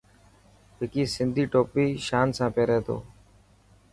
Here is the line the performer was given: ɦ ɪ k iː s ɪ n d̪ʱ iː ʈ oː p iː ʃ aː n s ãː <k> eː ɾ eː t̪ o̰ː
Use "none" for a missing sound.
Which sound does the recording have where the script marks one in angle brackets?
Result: p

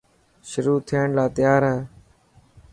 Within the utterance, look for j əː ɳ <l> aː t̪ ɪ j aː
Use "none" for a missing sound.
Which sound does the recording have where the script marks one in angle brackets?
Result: l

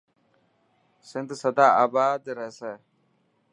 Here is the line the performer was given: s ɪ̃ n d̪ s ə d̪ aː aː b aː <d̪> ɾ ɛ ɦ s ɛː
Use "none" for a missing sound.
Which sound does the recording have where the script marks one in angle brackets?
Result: d̪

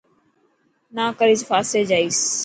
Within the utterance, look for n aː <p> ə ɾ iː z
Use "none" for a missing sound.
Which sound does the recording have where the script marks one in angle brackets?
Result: k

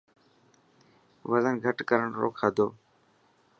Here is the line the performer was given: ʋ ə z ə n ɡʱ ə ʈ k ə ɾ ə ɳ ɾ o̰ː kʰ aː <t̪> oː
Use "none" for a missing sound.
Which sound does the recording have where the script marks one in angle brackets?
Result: d̪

